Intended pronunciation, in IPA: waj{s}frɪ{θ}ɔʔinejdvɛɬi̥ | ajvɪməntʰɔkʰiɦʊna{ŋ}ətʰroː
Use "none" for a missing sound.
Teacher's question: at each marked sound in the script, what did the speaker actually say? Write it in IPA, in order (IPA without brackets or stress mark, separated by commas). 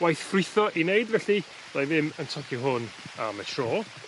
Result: θ, θ, m